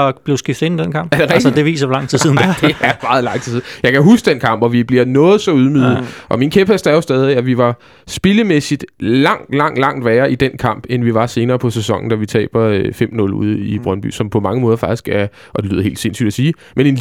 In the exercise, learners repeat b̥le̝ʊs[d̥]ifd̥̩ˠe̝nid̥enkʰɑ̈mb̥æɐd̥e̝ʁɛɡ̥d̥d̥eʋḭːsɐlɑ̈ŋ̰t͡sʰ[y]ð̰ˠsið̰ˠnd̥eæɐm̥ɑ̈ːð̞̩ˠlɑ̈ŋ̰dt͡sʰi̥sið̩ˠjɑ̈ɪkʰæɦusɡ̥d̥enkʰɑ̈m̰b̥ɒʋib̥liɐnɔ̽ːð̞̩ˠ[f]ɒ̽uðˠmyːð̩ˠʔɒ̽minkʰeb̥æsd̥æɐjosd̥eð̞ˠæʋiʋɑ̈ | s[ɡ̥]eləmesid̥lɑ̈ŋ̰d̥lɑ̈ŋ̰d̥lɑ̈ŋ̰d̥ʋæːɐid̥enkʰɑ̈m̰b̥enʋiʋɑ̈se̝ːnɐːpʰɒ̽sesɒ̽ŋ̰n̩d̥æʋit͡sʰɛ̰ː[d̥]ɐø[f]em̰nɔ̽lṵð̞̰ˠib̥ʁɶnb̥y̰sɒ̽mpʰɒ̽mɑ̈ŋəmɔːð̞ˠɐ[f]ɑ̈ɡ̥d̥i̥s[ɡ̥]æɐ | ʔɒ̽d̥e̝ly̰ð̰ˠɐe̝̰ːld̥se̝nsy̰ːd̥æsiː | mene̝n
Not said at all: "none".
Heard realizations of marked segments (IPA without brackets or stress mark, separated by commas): ɡ̥, i, s, b̥, b̥, f, f, ɡ̥